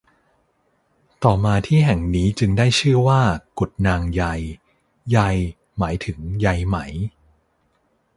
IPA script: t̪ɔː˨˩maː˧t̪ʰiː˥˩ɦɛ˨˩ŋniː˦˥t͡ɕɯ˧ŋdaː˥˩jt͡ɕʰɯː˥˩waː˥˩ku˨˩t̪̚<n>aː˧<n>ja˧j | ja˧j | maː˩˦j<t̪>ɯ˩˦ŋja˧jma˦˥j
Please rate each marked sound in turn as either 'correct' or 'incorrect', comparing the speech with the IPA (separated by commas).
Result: correct, incorrect, incorrect